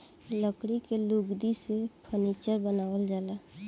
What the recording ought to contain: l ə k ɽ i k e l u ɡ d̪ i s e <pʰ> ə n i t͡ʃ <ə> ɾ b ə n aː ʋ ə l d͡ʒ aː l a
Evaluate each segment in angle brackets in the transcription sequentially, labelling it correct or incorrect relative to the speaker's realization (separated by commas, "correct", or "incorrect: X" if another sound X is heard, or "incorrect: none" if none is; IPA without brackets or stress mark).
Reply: correct, correct